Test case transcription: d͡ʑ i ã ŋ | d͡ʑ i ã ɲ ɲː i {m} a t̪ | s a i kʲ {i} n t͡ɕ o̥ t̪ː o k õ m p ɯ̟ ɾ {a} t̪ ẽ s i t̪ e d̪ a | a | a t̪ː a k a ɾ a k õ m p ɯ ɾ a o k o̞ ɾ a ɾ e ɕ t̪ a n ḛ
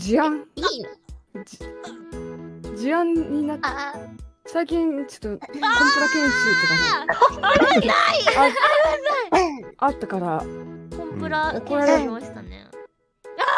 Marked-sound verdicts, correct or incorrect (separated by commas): incorrect, incorrect, correct